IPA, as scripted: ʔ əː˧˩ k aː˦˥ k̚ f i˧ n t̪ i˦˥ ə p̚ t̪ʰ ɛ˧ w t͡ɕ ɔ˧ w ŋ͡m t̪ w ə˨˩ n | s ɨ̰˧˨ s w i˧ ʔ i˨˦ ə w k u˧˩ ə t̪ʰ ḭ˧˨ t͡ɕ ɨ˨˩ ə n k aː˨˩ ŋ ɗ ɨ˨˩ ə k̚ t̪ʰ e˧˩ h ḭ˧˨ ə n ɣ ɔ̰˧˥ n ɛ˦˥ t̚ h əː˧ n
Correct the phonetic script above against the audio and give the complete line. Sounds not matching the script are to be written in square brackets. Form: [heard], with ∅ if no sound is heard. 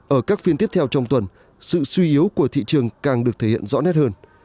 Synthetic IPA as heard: ʔ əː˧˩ k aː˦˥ k̚ f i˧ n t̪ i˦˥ ə p̚ t̪ʰ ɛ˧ w t͡ɕ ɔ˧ w ŋ͡m t̪ w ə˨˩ n | s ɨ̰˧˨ s w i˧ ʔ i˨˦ ə w k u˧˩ ə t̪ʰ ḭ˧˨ t͡ɕ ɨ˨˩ ə [ŋ] k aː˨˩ ŋ ɗ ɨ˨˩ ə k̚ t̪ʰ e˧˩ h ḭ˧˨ ə n [z] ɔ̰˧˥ n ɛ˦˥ t̚ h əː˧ n